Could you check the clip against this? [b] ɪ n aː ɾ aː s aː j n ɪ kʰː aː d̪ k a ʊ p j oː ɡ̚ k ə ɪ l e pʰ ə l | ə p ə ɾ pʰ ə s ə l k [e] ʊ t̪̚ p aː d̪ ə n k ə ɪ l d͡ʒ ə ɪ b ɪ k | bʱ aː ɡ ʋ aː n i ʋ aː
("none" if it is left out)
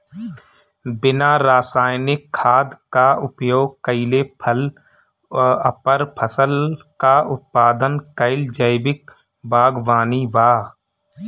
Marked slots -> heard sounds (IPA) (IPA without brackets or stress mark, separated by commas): b, a